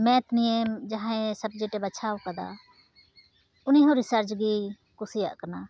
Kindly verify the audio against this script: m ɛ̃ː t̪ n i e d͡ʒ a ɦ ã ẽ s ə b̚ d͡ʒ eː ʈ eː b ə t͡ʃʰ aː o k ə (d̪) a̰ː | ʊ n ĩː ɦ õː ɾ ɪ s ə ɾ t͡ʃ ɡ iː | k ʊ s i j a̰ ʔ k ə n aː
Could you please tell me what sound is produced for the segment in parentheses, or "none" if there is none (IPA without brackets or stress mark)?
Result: d̪